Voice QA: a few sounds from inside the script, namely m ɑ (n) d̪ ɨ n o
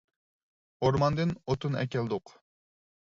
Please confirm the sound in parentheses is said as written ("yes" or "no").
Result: yes